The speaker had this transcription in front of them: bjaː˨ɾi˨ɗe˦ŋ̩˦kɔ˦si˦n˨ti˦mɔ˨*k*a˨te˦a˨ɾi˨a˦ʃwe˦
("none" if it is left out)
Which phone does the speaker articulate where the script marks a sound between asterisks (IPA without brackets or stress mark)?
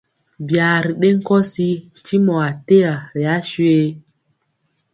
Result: none